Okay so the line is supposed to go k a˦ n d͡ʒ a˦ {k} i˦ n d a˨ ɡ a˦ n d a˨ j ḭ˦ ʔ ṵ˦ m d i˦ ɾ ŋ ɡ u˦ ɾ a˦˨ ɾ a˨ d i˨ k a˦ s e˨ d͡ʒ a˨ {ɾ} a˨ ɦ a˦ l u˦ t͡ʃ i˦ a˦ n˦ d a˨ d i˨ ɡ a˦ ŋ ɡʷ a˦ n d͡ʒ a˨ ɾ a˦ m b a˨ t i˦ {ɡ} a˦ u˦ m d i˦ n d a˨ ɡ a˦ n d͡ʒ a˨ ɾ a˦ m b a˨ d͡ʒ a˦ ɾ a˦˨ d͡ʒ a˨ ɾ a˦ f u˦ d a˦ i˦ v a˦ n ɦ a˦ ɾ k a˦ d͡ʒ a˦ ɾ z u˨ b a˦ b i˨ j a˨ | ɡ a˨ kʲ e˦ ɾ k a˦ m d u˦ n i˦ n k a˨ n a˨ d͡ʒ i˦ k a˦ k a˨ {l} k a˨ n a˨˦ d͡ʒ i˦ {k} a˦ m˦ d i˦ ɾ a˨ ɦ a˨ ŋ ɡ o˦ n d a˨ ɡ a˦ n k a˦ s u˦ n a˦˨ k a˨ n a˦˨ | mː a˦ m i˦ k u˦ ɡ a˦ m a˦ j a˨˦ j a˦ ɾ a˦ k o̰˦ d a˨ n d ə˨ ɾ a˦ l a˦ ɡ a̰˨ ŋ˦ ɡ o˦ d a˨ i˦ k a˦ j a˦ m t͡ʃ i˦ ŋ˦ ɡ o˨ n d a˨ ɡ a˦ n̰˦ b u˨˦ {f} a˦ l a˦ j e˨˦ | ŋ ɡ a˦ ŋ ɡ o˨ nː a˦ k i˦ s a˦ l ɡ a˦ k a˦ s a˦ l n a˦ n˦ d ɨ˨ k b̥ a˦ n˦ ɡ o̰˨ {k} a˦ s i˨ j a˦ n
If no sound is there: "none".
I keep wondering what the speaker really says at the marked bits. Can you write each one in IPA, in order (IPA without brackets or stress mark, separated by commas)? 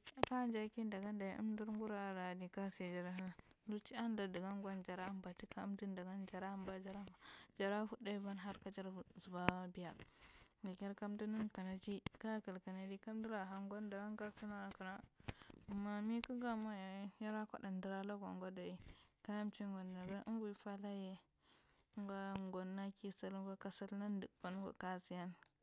k, ɾ, k, l, k, f, k